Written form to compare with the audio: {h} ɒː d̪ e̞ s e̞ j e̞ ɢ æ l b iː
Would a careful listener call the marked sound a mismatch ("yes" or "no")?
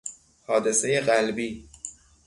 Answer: no